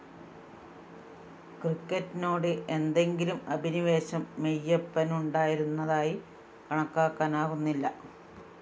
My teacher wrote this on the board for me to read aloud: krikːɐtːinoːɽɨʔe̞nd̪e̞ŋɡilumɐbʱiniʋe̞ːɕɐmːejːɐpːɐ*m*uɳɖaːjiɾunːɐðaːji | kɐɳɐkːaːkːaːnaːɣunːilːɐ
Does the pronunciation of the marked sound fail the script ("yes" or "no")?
yes